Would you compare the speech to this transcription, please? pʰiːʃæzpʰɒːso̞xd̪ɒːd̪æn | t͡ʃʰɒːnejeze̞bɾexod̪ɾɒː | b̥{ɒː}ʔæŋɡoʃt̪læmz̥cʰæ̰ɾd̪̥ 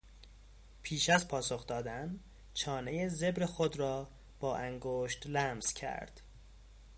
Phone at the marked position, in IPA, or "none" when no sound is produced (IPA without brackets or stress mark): ɒː